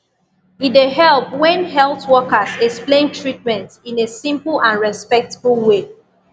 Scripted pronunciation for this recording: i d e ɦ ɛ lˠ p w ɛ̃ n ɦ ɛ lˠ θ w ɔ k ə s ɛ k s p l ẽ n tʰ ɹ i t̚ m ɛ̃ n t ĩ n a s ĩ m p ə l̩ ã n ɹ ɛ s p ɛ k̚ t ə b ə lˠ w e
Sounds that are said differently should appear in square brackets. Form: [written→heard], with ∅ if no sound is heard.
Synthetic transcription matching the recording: i d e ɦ ɛ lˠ p w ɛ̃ n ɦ ɛ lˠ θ w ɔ k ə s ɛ k s p l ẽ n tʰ ɹ i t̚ m ɛ̃ n t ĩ n [a→e] s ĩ m p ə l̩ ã n ɹ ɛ s p ɛ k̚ t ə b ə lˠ w e